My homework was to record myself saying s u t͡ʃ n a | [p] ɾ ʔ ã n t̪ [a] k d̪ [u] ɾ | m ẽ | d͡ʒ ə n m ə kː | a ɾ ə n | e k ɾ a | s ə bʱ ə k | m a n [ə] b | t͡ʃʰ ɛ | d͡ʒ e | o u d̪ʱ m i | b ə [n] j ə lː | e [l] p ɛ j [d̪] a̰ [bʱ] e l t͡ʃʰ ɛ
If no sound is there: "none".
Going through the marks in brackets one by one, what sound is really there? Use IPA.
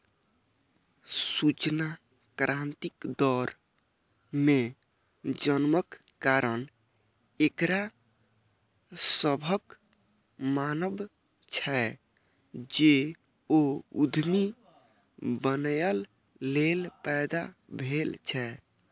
k, i, ɔ, ə, n, l, d̪, bʱ

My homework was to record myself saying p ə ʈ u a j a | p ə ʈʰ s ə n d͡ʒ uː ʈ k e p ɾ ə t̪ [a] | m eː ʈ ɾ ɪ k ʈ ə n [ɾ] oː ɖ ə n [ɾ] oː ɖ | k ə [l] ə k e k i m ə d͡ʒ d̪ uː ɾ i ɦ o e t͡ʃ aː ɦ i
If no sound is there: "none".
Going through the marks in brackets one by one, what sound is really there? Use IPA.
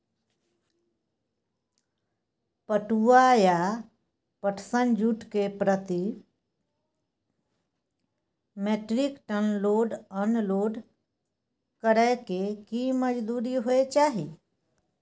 i, l, l, ɾ

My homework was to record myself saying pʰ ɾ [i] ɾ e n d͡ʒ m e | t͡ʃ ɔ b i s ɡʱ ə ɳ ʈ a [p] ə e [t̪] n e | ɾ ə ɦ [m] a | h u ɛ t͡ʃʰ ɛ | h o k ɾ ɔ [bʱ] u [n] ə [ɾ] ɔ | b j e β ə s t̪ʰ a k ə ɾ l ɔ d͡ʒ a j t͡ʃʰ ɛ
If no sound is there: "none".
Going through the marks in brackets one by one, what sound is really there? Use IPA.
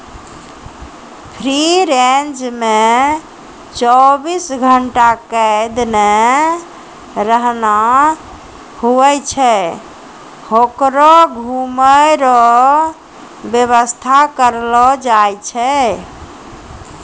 i, k, d̪, n, ɡʱ, m, ɾ

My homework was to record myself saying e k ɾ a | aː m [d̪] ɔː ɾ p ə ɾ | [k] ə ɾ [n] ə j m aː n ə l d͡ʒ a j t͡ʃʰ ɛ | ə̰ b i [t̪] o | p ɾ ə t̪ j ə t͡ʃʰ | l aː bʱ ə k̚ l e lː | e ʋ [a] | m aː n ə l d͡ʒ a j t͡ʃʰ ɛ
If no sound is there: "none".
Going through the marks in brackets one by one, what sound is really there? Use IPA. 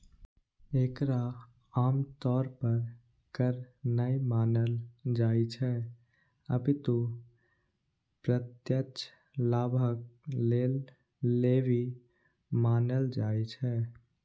t̪, k, n, t̪, i

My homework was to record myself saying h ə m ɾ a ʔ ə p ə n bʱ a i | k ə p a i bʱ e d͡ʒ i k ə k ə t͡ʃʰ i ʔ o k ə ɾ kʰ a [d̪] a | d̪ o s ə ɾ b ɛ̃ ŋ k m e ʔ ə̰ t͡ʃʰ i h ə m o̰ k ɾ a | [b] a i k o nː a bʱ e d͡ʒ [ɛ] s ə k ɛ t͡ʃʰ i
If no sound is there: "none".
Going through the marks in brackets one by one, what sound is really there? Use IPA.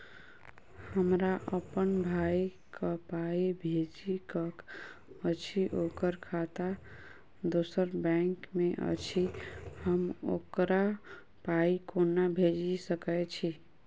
t̪, p, i

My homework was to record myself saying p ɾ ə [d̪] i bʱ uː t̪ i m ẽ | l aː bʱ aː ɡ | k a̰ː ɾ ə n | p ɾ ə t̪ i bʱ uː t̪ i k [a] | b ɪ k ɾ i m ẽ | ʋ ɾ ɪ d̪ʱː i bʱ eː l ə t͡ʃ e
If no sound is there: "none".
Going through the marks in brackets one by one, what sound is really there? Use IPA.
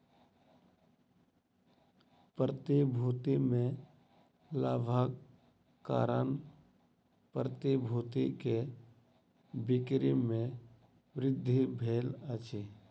t̪, e

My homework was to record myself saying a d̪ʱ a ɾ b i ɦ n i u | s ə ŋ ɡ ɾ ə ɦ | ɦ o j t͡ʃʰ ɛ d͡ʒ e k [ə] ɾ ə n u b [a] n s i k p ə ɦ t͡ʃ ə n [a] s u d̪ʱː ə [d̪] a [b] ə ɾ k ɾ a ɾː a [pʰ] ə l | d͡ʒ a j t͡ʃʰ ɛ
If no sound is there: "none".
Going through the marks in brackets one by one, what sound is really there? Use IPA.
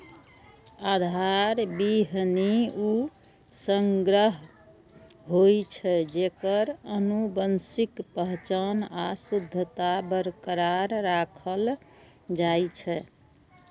ə, ə, a, t̪, b, kʰ

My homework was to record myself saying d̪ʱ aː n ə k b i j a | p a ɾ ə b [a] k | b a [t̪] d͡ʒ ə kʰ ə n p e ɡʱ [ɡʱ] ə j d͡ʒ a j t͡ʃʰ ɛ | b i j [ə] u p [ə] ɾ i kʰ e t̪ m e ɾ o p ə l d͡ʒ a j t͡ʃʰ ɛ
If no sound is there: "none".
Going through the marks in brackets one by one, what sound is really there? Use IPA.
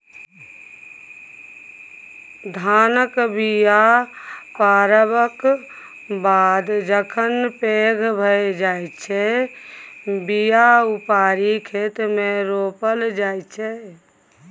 ə, d̪, bʱ, a, a

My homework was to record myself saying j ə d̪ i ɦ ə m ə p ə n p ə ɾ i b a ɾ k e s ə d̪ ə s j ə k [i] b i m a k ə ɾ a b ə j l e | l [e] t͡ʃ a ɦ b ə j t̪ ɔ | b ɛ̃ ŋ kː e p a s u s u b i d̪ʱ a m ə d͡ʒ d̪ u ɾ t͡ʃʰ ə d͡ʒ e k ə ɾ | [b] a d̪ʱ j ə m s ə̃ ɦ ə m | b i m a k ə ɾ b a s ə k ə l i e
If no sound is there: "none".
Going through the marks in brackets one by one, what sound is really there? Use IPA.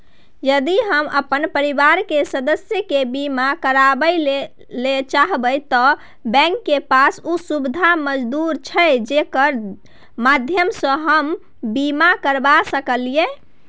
e, e, m

